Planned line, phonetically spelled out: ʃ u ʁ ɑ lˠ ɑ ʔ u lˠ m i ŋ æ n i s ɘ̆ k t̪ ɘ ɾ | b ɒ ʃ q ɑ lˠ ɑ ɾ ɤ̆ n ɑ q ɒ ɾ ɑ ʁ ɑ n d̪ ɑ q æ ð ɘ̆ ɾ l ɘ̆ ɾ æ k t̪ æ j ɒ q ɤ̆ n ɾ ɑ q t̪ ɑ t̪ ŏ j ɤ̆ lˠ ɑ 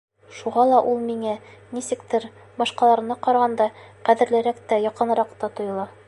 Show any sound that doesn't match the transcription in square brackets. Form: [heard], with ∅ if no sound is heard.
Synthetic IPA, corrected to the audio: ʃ u ʁ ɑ lˠ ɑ ʔ u lˠ m i ŋ æ n i s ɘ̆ k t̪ ɘ ɾ | b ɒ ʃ q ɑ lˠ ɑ ɾ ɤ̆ n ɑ q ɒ ɾ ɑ ʁ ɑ n d̪ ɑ q æ ð ɘ̆ ɾ l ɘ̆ ɾ æ k t̪ æ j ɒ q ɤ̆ n ɾ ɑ q t̪ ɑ t̪ ŏ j ɤ̆ lˠ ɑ